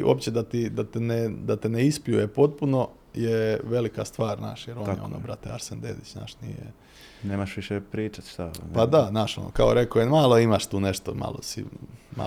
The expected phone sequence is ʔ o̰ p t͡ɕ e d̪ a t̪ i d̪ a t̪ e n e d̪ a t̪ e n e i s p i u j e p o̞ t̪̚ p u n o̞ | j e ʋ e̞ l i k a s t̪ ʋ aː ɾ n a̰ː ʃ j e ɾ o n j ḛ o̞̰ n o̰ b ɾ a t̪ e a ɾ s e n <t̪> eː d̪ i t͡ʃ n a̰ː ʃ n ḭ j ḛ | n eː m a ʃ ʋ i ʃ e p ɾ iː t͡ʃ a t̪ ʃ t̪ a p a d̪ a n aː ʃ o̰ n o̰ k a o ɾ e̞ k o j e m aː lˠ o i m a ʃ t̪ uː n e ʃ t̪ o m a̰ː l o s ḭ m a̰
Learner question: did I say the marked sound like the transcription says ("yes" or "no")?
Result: no